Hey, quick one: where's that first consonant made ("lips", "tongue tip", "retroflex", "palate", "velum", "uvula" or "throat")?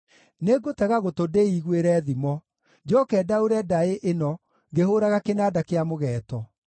tongue tip